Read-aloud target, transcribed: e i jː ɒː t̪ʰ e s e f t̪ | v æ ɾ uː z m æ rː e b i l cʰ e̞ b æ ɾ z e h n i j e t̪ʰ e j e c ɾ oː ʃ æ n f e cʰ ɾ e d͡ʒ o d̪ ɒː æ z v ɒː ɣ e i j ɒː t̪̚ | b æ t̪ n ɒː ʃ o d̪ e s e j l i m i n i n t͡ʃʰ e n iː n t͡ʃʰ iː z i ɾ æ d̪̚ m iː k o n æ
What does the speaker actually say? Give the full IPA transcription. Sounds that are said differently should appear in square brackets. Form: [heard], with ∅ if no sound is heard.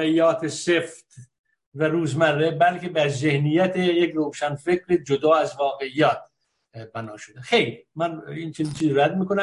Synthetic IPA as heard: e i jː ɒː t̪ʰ e s e f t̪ | v æ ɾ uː z m æ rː e b [æ] l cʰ e̞ b æ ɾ z e h n i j [æ] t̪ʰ e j e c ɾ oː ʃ æ n f e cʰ ɾ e d͡ʒ o d̪ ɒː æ z v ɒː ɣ e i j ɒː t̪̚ | b æ [∅] n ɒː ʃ o d̪ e [x] e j l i m [æ] n i n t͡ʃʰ e n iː n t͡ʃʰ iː z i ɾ æ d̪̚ m iː k o n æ